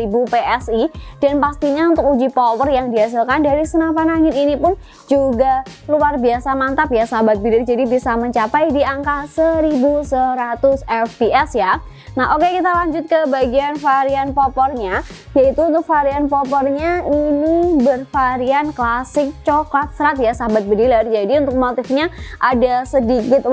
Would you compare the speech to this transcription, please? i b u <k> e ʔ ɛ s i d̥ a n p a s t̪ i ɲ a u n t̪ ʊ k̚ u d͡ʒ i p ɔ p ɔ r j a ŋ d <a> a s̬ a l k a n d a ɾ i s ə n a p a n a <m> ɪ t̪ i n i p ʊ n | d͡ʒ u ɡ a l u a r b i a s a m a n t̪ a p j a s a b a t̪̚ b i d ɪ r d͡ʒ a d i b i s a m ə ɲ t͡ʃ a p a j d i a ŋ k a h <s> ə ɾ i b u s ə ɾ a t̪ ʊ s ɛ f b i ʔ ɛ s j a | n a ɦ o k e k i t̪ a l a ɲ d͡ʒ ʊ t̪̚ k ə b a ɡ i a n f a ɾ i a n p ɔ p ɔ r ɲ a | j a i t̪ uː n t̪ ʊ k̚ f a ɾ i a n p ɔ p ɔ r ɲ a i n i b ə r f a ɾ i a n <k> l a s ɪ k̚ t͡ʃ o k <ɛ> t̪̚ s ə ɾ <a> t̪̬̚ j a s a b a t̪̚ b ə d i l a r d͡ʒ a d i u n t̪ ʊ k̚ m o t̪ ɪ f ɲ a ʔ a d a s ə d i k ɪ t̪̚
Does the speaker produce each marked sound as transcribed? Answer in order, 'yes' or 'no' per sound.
no, no, no, yes, yes, no, yes

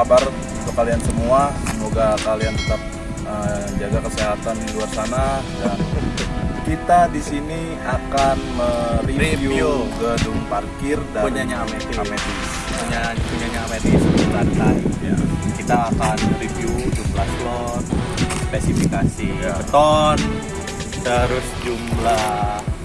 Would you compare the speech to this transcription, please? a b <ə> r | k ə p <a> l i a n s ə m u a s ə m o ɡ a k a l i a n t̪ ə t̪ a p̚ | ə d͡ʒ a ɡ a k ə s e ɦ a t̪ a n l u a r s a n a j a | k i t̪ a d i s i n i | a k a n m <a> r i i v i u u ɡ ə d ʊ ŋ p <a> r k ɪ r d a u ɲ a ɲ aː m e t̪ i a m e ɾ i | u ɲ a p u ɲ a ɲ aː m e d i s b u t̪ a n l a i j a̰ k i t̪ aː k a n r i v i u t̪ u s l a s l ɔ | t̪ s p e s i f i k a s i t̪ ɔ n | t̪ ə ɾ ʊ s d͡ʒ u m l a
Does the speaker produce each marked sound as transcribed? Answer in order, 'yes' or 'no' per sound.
no, yes, no, yes

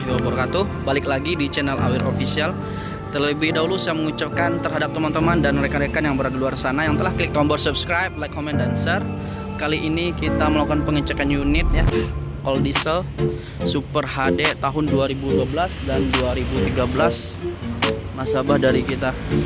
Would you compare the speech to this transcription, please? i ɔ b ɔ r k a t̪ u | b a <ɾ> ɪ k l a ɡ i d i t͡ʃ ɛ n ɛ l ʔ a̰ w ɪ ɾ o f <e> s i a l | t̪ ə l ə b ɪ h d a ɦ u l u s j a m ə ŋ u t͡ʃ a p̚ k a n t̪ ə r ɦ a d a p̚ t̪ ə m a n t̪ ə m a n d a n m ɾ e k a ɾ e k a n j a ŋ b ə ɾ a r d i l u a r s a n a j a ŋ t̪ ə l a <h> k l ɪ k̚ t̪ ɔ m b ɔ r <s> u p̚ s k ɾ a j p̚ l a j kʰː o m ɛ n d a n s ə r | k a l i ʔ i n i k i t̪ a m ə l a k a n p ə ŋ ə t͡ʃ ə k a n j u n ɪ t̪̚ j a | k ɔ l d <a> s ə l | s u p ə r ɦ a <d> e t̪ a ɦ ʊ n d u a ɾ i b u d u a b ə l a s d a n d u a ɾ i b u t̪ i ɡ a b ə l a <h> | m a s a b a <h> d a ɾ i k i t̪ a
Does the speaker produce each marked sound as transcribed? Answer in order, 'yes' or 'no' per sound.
no, no, yes, yes, no, yes, no, yes

